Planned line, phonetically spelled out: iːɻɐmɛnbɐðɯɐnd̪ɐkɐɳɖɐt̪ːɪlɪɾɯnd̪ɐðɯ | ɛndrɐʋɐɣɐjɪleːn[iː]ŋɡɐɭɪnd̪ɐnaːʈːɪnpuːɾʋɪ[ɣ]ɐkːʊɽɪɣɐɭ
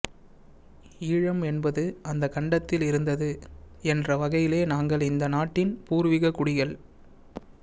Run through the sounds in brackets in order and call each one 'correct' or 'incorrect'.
incorrect: aː, correct

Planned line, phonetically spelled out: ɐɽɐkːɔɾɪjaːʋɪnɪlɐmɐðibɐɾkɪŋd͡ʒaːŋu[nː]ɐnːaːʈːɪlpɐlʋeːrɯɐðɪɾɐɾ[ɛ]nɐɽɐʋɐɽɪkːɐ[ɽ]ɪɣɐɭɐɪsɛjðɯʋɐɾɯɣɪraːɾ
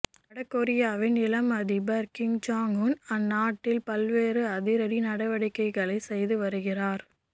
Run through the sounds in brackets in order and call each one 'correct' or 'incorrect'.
incorrect: n, incorrect: i, incorrect: none

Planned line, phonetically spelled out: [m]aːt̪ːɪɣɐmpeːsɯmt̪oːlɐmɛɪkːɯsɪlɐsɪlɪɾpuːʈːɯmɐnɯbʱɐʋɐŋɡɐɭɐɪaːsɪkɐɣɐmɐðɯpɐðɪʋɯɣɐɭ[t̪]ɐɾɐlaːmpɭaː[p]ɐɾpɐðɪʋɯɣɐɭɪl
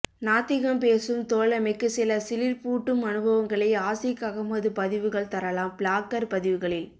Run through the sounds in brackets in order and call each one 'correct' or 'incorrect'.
incorrect: n, correct, incorrect: k

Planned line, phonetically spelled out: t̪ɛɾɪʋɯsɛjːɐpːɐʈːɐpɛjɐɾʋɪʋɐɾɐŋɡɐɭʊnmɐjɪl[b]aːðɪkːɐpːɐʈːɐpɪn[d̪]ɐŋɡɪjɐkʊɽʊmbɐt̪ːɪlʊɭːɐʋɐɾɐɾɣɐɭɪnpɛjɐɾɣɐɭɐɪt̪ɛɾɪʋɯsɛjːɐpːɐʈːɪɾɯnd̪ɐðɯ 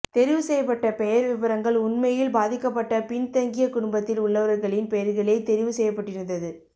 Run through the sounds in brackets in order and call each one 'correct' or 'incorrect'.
correct, incorrect: t̪

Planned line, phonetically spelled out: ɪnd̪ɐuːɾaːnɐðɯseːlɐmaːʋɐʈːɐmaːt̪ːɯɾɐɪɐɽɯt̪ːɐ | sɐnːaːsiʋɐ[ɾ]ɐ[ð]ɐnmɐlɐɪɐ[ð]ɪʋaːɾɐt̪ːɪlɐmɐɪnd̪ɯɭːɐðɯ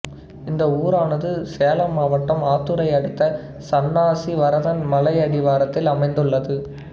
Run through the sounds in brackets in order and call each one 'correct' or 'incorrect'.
correct, correct, correct

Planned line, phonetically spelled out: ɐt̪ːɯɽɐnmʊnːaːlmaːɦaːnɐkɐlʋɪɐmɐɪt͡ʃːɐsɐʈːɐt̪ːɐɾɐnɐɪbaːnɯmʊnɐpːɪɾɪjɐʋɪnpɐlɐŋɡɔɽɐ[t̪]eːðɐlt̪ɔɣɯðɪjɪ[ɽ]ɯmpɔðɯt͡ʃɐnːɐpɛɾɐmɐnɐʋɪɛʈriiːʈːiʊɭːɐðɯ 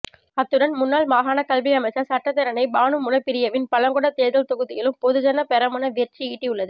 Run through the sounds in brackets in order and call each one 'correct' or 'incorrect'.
correct, incorrect: l

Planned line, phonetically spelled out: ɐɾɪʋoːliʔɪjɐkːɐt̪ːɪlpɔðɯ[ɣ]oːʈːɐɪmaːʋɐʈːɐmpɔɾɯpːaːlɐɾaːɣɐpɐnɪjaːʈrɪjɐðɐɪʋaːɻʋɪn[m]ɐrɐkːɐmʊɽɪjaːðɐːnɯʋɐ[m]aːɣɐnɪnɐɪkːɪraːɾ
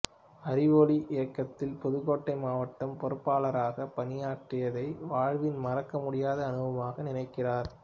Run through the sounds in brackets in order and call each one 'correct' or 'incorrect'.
correct, correct, correct

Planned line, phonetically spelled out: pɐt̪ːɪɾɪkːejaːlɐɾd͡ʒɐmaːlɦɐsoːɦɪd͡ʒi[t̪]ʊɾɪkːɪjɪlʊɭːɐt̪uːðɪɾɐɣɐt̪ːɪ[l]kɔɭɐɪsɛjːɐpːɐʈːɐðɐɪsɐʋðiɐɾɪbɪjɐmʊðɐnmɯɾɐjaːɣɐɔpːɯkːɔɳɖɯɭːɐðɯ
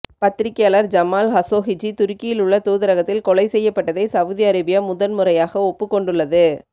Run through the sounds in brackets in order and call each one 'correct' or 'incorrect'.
correct, correct

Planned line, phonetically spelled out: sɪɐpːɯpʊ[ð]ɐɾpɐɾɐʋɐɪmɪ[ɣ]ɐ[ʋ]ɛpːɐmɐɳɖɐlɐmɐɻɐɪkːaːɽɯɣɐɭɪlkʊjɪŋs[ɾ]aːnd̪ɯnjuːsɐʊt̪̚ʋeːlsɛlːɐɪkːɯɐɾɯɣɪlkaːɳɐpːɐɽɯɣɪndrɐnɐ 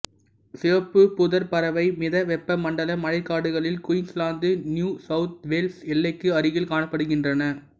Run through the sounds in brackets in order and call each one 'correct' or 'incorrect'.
correct, incorrect: ð, correct, incorrect: l

